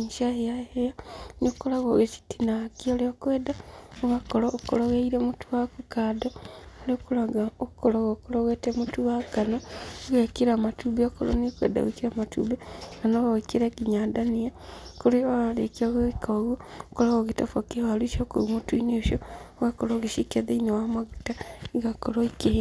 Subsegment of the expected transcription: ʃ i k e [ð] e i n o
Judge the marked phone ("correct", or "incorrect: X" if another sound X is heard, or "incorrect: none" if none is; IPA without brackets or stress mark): correct